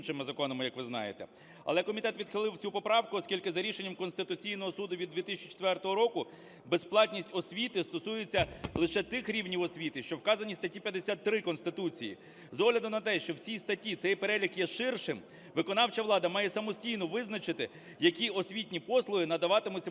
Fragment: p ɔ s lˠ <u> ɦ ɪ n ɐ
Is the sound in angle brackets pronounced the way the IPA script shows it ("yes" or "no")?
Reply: no